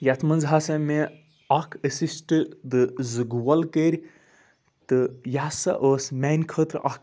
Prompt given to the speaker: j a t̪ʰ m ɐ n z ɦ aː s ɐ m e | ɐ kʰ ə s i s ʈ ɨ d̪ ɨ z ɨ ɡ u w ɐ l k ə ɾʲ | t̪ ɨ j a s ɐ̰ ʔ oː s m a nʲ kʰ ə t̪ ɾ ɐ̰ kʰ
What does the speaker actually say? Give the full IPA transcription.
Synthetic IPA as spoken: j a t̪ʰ m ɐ n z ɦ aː s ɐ m e | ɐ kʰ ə s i s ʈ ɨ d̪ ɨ z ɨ ɡ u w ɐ l k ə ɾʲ | t̪ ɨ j a s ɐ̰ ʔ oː s m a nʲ kʰ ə t̪ ɾ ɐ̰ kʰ